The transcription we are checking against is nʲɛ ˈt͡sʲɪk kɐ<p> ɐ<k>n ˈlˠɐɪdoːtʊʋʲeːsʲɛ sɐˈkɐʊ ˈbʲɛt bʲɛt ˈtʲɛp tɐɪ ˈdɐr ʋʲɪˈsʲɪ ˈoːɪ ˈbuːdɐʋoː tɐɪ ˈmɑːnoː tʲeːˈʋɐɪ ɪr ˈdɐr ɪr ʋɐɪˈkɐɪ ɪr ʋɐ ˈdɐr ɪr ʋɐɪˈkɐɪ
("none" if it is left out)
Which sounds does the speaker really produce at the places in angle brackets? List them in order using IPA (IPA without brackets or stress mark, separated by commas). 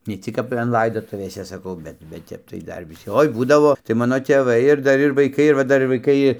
p, none